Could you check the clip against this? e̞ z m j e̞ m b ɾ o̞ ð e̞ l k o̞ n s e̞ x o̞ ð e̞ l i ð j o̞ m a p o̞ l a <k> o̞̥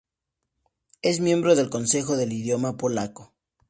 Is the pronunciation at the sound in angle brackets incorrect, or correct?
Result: correct